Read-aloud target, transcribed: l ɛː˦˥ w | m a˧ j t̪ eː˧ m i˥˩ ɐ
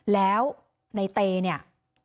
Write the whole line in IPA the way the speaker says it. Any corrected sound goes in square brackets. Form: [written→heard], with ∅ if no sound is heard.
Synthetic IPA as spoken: l ɛː˦˥ w | [m→n] a˧ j t̪ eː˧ [m→n] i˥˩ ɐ